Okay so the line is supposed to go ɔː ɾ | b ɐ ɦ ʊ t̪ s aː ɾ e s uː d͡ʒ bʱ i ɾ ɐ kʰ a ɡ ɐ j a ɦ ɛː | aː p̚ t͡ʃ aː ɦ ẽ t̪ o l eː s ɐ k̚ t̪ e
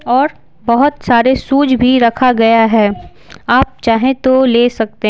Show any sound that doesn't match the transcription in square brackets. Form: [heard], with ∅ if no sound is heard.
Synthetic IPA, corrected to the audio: ɔː ɾ | b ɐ ɦ ʊ t̪ s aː ɾ e s uː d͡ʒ bʱ i ɾ ɐ kʰ a ɡ ɐ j a ɦ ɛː | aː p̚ t͡ʃ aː ɦ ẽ t̪ o l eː s ɐ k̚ t̪ e